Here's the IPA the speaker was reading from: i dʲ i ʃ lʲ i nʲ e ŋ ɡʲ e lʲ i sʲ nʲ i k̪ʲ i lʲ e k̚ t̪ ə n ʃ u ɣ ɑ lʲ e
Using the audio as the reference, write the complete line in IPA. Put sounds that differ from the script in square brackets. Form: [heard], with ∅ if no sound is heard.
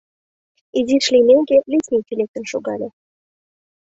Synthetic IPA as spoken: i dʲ i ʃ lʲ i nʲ e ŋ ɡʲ e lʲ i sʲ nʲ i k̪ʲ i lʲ e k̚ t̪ ə n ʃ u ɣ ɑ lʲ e